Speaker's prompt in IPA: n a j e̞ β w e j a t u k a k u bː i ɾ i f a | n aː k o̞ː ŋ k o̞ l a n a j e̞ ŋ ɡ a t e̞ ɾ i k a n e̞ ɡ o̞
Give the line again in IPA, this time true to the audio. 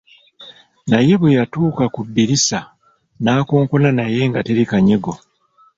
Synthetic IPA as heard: n a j e̞ β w e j a t uː k a k u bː i ɾ i s a | n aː k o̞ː ŋ k o̞ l a n a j e̞ ŋ ɡ a t e̞ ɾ i k a ɲ e̞ ɡ o̞